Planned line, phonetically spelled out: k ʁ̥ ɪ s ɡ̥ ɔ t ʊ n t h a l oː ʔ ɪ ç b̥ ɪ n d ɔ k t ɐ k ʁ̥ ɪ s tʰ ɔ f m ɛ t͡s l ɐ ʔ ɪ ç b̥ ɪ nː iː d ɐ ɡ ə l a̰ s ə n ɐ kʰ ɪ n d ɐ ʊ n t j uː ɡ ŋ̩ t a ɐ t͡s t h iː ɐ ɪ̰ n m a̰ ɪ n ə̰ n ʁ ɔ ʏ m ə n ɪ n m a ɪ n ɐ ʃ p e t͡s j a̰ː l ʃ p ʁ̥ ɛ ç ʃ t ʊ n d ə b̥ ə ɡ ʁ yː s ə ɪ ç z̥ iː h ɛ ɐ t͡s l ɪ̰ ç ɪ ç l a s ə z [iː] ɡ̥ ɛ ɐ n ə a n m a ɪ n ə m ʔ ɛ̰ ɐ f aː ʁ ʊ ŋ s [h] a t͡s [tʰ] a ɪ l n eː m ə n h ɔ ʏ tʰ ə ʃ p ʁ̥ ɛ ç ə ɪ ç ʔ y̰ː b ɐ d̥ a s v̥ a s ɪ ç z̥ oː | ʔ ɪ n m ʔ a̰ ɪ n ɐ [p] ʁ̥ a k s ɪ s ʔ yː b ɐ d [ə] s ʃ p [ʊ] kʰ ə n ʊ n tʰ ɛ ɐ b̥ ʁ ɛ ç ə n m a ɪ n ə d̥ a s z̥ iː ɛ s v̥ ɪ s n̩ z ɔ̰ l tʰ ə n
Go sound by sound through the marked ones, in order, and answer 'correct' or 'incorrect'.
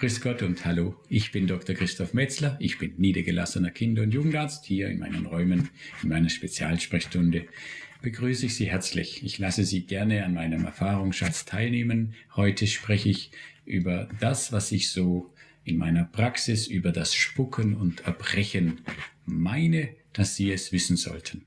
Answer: correct, incorrect, correct, correct, incorrect, correct

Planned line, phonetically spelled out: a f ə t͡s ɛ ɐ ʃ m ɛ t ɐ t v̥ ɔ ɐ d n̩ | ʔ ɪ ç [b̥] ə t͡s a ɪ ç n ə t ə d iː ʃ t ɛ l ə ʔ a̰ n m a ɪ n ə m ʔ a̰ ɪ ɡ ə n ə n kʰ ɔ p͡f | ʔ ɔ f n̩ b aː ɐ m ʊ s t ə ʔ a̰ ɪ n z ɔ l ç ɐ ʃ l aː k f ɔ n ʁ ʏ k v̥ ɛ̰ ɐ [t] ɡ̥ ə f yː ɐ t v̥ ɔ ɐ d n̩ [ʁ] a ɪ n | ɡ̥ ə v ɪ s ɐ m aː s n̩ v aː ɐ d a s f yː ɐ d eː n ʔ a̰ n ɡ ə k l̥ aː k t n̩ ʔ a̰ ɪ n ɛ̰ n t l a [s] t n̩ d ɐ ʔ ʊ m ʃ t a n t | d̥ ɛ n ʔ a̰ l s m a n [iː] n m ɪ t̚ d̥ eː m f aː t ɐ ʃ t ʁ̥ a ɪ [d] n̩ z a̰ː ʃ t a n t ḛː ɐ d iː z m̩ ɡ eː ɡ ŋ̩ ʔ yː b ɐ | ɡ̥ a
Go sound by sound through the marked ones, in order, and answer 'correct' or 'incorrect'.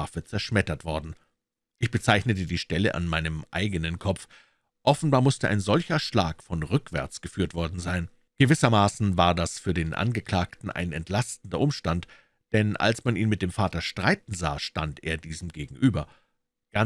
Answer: correct, incorrect, incorrect, correct, correct, incorrect

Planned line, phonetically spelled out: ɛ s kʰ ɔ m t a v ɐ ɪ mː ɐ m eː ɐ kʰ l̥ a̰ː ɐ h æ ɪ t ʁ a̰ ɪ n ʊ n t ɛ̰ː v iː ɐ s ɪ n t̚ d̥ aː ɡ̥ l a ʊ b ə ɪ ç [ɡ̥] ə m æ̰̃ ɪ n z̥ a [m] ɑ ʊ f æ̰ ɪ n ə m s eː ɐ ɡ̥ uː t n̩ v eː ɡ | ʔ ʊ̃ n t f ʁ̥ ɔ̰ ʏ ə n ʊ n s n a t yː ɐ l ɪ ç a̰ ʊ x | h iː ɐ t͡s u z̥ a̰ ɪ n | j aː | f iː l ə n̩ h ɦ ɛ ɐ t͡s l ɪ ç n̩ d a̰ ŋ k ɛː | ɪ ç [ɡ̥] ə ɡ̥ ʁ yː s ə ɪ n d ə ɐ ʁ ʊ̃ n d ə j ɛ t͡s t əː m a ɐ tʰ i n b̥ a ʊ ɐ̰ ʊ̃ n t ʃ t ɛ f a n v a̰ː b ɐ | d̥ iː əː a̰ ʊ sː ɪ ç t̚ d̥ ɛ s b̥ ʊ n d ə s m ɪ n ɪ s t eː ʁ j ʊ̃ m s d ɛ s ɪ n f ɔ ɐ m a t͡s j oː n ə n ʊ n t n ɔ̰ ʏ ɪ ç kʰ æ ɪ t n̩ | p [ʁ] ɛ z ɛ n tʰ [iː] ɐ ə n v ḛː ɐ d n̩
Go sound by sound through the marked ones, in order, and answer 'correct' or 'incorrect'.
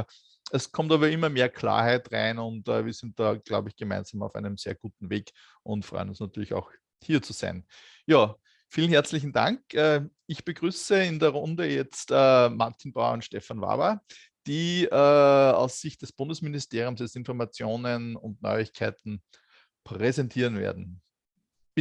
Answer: correct, correct, incorrect, correct, correct

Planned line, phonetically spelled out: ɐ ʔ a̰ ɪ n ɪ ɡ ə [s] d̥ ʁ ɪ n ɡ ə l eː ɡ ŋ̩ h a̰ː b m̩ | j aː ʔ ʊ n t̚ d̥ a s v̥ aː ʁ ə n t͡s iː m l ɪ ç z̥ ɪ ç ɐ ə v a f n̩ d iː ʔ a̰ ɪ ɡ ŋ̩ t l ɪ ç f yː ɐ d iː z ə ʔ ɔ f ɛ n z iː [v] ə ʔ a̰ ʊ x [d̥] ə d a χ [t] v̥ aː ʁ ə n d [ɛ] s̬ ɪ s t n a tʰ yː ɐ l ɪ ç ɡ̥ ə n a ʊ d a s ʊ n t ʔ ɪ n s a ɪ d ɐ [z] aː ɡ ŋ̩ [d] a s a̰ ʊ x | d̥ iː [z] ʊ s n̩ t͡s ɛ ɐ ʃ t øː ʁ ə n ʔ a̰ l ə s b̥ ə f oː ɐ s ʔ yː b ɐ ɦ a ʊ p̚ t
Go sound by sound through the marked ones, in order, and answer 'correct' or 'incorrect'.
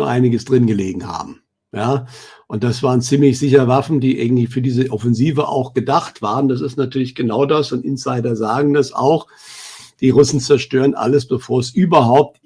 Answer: correct, correct, incorrect, correct, incorrect, correct, correct, incorrect

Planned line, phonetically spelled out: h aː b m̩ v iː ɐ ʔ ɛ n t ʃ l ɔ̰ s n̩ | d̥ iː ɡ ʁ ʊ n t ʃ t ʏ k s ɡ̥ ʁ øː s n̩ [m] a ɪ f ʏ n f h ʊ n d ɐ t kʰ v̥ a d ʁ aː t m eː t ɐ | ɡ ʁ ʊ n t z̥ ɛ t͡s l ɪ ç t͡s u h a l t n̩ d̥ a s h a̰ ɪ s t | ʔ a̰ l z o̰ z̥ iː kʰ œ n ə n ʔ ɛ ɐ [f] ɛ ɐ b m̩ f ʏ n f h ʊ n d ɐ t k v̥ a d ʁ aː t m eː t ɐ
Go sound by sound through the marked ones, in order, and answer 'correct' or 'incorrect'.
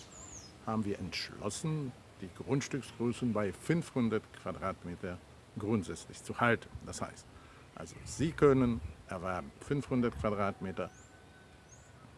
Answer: incorrect, incorrect

